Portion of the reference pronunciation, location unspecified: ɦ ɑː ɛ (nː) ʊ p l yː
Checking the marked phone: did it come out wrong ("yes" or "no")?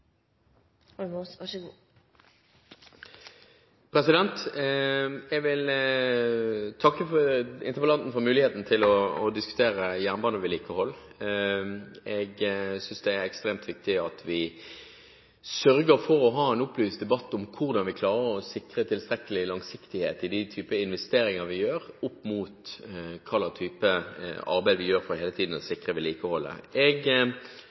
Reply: yes